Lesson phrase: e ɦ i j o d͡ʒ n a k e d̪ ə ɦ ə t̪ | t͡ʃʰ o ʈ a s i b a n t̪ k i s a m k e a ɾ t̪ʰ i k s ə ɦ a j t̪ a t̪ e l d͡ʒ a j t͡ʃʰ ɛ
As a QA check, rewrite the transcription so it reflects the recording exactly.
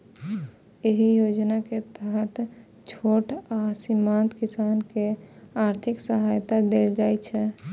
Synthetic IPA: e ɦ i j o d͡ʒ n a k e t̪ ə ɦ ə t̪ | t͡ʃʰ o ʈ a s i m a n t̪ k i s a n k e a ɾ t̪ʰ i k s ə ɦ a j t̪ a d̪ e l d͡ʒ a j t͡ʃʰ ɛ